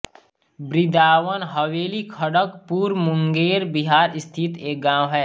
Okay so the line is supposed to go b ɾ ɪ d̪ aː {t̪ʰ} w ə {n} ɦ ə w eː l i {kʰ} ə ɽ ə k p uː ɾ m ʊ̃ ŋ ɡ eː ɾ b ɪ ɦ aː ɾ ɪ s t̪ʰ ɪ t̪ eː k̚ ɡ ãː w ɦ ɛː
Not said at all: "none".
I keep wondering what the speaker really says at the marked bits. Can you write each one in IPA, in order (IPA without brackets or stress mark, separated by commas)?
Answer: none, n, kʰ